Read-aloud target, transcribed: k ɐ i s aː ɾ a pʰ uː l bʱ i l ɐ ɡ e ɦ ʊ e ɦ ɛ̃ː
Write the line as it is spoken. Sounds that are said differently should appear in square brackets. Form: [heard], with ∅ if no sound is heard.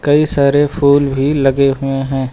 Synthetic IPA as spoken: k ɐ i s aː ɾ [e] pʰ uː l bʱ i l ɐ ɡ e ɦ ʊ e ɦ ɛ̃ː